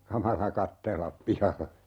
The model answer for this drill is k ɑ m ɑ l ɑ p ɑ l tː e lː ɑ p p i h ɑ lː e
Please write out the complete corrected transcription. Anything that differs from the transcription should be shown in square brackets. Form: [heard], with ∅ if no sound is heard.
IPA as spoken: k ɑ m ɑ l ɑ [k] ɑ [∅] tː e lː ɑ p p i h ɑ lː e